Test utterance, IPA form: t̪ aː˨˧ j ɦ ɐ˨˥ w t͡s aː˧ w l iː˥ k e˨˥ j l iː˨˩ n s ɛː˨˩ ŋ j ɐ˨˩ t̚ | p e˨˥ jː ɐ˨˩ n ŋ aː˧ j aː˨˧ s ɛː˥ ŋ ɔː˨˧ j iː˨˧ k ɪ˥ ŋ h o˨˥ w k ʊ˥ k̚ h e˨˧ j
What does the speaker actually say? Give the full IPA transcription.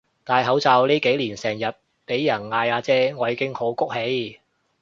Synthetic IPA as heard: t̪ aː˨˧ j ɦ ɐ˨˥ w t͡s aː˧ w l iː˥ k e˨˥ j l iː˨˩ n s ɛː˨˩ ŋ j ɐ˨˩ t̚ | p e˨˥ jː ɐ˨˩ n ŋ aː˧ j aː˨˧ t͡s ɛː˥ ŋ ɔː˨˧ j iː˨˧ k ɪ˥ ŋ h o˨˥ w k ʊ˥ k̚ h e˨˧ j